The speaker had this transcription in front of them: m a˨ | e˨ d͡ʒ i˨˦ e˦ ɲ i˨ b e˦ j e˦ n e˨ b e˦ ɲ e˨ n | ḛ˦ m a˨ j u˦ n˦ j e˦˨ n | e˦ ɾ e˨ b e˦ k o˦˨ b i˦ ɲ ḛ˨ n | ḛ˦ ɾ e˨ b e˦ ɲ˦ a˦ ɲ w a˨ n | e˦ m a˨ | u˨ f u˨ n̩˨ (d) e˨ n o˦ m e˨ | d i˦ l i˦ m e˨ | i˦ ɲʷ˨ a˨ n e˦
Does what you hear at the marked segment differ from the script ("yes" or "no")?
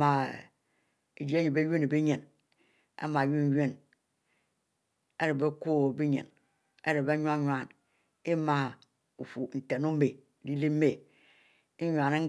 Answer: yes